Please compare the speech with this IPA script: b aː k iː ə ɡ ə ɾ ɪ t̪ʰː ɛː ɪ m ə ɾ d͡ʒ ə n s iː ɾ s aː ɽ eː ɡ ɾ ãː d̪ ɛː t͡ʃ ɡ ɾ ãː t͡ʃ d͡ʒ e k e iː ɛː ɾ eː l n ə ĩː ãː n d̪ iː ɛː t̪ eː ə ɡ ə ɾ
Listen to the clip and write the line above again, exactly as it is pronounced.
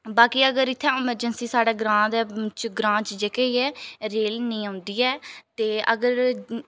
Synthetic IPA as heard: b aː k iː ə ɡ ə ɾ ɪ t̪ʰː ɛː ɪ m ə ɾ d͡ʒ ə n s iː s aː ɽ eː ɡ ɾ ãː d̪ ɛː t͡ʃ ɡ ɾ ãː t͡ʃ d͡ʒ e k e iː ɛː ɾ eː l n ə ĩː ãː n d̪ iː ɛː t̪ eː ə ɡ ə ɾ

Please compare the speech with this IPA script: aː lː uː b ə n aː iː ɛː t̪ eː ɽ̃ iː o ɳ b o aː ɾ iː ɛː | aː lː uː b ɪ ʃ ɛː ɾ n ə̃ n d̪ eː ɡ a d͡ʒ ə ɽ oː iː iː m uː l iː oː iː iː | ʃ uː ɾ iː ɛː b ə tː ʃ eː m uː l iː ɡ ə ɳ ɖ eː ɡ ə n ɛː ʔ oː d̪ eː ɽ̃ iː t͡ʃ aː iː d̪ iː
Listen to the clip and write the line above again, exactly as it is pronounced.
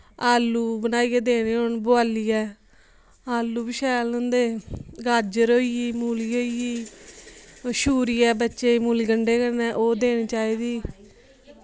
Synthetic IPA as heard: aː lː uː b ə n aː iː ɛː d̪ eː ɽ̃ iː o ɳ b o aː l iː ɛː | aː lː uː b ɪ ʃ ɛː l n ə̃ n d̪ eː ɡ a d͡ʒ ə ɾ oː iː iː m uː l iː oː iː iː | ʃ uː ɾ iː ɛː b ə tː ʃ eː m uː l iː ɡ ə ɳ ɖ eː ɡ ə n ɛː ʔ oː d̪ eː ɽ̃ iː t͡ʃ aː iː d̪ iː

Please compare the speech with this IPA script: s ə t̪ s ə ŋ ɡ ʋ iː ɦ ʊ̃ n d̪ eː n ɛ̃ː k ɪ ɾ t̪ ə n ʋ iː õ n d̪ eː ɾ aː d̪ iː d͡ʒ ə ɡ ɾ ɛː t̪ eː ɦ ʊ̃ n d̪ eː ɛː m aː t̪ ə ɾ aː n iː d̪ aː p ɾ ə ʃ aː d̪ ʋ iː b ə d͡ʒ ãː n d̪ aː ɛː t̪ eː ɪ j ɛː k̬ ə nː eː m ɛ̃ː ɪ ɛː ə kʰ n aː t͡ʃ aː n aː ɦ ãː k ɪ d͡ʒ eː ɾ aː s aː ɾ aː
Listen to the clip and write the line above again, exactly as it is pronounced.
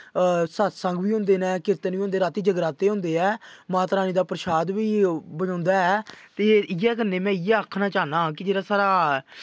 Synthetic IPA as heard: s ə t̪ s ə ŋ ɡ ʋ iː ɦ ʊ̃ n d̪ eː n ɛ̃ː k ɪ ɾ t̪ ə n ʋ iː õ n d̪ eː ɾ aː t̪ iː d͡ʒ ə ɡ ɾ aː t̪ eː ɦ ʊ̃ n d̪ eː ɛː m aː t̪ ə ɾ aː n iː d̪ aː p ɾ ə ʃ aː d̪ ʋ iː b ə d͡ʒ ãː n d̪ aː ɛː t̪ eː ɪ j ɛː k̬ ə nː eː m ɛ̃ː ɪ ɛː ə kʰ n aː t͡ʃ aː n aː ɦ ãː k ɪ d͡ʒ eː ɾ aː s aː ɾ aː

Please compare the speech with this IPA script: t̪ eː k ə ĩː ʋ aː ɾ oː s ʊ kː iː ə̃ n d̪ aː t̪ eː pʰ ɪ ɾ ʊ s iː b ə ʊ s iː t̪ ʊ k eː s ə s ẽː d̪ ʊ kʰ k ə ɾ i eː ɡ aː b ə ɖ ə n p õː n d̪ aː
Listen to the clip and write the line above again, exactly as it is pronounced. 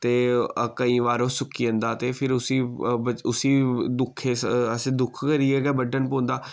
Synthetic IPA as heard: t̪ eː k ə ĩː ʋ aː ɾ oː s ʊ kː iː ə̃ n d̪ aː t̪ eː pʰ ɪ ɾ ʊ s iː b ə ʊ s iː d̪ ʊ kʰ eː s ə s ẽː d̪ ʊ kʰ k ə ɾ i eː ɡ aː b ə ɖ ə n p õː n d̪ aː

